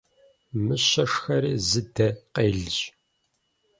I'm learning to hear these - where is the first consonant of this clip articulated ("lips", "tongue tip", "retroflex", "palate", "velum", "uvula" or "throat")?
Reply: lips